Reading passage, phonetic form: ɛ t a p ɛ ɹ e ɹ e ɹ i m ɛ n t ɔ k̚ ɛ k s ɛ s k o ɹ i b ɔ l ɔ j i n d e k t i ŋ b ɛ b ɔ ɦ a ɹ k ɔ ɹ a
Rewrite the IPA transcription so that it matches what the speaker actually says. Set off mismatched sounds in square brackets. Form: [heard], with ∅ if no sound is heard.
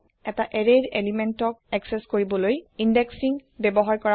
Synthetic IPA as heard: ɛ t a [ʔ] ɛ ɹ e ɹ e [l] i m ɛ n t ɔ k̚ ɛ k s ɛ s k o ɹ i b ɔ l [o] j i n d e k [s] i ŋ b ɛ b ɔ ɦ a ɹ k ɔ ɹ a